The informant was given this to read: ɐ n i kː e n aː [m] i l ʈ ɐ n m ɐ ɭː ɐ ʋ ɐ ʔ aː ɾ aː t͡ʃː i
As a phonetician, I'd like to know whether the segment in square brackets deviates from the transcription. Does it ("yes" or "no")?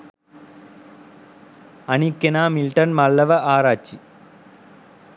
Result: no